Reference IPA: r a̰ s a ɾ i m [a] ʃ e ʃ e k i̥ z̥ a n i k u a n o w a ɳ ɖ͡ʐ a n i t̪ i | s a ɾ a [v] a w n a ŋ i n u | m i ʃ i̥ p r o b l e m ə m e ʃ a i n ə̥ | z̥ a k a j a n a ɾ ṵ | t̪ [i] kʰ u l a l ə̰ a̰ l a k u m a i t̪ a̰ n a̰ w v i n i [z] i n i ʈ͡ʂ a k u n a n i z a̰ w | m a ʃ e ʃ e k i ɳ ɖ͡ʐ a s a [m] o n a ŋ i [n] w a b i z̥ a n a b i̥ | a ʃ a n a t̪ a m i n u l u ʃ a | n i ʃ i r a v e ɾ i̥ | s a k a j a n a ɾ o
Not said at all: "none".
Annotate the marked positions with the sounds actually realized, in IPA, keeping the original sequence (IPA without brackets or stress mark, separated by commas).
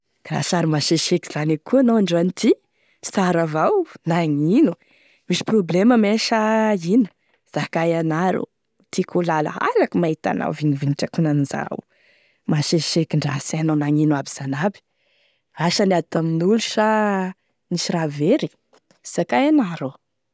a, v, i, v, n, n